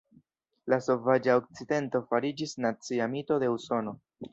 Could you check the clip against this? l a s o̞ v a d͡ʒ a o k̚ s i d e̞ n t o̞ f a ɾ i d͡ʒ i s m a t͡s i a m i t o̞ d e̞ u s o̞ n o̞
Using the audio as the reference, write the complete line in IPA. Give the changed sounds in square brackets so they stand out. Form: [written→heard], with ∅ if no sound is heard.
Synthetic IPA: l a s o̞ v a d͡ʒ a o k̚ [s→t͡s] i d e̞ n t o̞ f a ɾ i d͡ʒ i s [m→n] a t͡s i a m i t o̞ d e̞ u s o̞ n o̞